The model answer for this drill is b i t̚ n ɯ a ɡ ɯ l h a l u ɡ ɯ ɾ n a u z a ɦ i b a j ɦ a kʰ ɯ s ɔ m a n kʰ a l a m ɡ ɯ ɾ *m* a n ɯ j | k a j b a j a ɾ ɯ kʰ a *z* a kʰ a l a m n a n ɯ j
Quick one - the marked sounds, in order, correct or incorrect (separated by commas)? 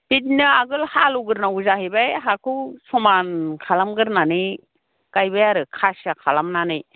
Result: incorrect, incorrect